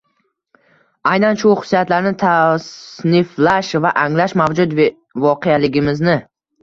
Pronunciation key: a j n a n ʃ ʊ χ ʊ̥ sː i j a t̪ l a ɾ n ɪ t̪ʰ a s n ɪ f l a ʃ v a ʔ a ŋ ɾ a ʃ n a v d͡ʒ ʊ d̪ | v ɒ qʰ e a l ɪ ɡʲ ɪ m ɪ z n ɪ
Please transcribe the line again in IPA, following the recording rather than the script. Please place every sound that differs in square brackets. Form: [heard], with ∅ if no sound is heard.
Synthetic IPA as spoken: a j n a n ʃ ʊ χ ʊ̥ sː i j a t̪ l a ɾ n ɪ t̪ʰ a s n ɪ f l a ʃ v a ʔ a ŋ [l] a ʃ [m] a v d͡ʒ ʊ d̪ | v ɒ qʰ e a l ɪ ɡʲ ɪ m ɪ z n ɪ